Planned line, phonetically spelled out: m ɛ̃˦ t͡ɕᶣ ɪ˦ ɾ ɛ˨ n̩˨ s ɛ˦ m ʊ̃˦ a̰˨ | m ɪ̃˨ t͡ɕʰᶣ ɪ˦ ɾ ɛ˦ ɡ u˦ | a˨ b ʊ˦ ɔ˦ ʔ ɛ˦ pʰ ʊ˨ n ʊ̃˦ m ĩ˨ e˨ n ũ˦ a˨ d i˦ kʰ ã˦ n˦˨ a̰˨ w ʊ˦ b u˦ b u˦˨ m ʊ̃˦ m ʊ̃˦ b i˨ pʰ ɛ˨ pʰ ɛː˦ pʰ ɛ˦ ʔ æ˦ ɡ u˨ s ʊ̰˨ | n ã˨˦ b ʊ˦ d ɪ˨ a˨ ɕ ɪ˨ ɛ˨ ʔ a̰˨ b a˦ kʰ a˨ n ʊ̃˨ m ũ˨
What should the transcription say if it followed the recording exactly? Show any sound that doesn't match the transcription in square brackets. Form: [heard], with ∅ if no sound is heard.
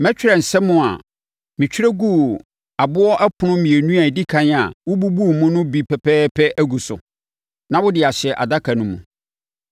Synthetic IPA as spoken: m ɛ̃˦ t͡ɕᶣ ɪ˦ ɾ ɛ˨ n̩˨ s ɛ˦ m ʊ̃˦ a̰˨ | m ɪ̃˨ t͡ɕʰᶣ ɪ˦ ɾ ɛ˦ ɡ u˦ | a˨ b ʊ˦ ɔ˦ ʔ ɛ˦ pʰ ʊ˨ n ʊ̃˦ m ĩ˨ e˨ n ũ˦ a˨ d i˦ kʰ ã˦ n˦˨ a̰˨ w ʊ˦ b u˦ b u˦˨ m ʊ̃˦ [n] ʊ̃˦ b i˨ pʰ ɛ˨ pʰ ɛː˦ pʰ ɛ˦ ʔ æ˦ ɡ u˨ s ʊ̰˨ | n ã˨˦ [w] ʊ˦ d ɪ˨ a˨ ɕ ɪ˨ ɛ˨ ʔ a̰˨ [d] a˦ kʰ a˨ n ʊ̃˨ m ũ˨